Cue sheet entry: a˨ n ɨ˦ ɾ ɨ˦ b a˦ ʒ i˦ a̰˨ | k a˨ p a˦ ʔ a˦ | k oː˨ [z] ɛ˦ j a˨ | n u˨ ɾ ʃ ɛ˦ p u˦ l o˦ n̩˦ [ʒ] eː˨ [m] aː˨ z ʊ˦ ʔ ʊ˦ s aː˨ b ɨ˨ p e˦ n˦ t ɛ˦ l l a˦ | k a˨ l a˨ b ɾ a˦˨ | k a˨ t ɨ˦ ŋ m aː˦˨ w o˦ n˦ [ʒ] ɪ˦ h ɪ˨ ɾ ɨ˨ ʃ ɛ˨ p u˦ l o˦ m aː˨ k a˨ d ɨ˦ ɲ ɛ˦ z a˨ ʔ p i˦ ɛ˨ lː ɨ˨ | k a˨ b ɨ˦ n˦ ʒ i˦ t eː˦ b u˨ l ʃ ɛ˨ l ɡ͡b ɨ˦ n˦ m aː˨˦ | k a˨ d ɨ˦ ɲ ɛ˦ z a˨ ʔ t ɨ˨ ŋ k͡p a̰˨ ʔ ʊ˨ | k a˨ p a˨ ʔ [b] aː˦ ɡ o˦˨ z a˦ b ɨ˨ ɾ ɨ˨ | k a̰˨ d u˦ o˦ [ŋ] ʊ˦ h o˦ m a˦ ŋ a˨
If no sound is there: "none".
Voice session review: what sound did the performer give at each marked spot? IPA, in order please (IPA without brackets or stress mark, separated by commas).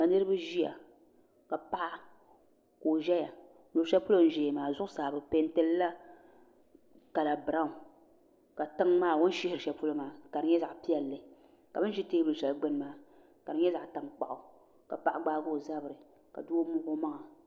ʒ, ʒ, m, ʃ, ɡ͡b, m